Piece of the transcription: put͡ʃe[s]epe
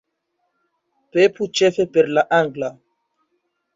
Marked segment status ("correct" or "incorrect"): incorrect